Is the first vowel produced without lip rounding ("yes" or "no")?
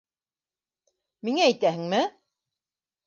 yes